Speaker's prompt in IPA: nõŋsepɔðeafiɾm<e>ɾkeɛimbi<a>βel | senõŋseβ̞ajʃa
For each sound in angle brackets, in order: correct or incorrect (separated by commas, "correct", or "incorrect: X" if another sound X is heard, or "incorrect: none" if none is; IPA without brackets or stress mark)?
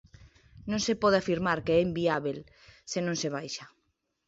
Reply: incorrect: a, correct